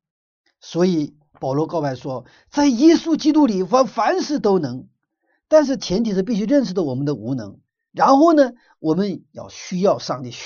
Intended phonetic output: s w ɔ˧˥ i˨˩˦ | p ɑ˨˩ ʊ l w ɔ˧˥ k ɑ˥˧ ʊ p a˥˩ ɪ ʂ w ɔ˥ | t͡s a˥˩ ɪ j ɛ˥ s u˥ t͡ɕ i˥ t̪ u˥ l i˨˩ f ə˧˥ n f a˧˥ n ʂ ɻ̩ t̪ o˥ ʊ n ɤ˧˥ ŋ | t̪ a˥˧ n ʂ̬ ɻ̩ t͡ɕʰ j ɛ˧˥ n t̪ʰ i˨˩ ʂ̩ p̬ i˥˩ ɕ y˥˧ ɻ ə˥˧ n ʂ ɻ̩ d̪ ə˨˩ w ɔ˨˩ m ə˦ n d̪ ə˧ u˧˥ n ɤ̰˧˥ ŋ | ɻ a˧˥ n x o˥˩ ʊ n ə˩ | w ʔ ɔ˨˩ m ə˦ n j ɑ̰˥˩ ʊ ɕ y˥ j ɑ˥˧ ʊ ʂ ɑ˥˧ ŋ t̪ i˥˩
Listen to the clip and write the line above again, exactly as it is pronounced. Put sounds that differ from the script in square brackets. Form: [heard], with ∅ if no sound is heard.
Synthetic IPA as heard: s w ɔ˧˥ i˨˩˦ | p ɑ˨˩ ʊ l w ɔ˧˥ k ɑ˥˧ ʊ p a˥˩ ɪ ʂ w ɔ˥ | t͡s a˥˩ ɪ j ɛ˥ s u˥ t͡ɕ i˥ t̪ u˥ l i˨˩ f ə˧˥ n f a˧˥ n ʂ ɻ̩ t̪ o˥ ʊ n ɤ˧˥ ŋ | t̪ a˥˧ n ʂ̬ ɻ̩ t͡ɕʰ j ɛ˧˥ n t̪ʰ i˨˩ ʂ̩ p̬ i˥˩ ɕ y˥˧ ɻ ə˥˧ n ʂ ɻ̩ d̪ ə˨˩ w ɔ˨˩ m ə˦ n d̪ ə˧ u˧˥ n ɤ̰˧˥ ŋ | ɻ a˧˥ n x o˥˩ ʊ n ə˩ | w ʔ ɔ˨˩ m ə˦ n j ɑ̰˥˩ ʊ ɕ y˥ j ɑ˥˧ ʊ ʂ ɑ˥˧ ŋ t̪ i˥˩